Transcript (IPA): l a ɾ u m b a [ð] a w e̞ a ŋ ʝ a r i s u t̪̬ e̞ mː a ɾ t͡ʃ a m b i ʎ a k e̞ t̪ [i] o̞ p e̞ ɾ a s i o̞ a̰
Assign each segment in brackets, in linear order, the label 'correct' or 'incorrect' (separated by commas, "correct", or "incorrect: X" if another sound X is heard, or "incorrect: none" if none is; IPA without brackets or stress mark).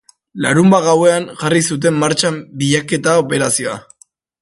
incorrect: ɣ, incorrect: a